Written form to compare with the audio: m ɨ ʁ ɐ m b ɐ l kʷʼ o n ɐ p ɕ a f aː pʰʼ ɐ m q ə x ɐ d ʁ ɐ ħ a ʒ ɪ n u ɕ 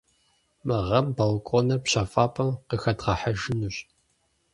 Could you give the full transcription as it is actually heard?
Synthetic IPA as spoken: m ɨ ʁ ɐ m b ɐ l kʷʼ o n ɐ p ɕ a f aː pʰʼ ɐ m q ə x ɐ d ʁ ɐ ħ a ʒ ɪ n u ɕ